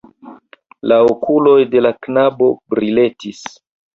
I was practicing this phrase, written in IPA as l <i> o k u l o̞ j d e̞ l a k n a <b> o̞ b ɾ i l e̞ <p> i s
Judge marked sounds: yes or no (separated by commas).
no, yes, no